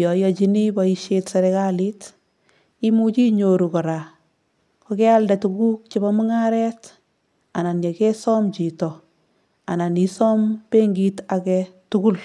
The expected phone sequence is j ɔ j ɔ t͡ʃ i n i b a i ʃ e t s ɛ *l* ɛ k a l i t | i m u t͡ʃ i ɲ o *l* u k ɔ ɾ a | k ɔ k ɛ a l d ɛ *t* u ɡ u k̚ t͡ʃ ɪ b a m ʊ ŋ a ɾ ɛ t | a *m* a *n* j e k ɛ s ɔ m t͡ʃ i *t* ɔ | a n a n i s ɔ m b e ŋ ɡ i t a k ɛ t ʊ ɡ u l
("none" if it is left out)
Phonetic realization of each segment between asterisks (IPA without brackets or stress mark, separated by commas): ɾ, ɾ, t, n, n, t